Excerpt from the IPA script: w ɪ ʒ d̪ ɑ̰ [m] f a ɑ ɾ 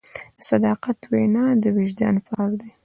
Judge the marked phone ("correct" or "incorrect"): incorrect